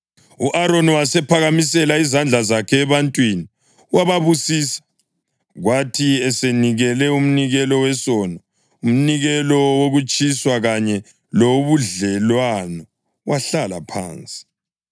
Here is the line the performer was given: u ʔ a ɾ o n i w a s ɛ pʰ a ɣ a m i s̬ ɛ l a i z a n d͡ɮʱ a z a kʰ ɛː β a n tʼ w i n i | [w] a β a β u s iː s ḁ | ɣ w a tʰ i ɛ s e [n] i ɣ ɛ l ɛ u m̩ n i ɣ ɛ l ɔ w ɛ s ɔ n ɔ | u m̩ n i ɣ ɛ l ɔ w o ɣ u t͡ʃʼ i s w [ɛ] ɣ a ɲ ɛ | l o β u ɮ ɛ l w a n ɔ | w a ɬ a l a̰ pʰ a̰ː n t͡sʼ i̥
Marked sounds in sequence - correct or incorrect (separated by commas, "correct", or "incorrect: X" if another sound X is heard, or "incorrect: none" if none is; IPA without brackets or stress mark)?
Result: correct, correct, incorrect: a